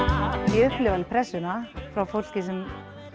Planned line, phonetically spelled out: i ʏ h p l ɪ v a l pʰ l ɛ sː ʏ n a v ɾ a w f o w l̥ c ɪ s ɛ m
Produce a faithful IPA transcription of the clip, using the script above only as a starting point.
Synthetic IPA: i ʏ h p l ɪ v a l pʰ ɾ ɛ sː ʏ n a f ɾ a w f o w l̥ c ɪ s ɛ m